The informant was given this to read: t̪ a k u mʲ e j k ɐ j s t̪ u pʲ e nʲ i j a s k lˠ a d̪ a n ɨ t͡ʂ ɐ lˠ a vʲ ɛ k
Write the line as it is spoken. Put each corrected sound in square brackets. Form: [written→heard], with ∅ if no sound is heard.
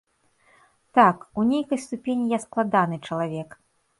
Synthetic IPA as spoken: t̪ a k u [mʲ→nʲ] e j k ɐ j s t̪ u pʲ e nʲ i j a s k lˠ a d̪ a n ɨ t͡ʂ ɐ lˠ a vʲ ɛ k

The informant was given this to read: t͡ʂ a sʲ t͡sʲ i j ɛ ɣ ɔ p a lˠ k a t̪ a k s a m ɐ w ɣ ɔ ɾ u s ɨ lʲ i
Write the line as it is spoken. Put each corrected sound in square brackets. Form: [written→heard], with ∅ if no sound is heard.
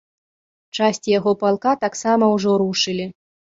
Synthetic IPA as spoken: t͡ʂ a sʲ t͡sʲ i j [ɛ→a] ɣ ɔ p a lˠ k a t̪ a k s a m ɐ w [ɣ→ʐ] ɔ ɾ u [s→ʂ] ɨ lʲ i

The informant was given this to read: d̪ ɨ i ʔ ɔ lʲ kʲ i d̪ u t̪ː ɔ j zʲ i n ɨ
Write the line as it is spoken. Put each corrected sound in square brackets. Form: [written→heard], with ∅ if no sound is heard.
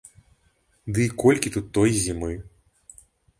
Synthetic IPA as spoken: d̪ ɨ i [ʔ→k] ɔ lʲ kʲ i [d̪→t̪] u t̪ː ɔ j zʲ i [n→m] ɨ

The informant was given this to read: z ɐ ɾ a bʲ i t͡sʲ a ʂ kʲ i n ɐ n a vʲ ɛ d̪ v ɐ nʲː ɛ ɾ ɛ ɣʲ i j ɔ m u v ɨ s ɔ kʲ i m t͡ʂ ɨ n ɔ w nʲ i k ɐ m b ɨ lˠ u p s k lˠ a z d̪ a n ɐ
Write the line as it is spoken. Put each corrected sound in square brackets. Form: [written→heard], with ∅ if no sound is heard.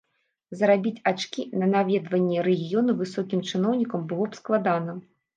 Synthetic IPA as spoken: z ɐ ɾ a bʲ i t͡sʲ a [ʂ→t͡ʂ] kʲ i n ɐ n a vʲ ɛ d̪ v ɐ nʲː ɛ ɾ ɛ ɣʲ i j ɔ [m→n] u v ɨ s ɔ kʲ i m t͡ʂ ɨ n ɔ w nʲ i k ɐ m b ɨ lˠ [u→ɔ] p s k lˠ a [z→∅] d̪ a n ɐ

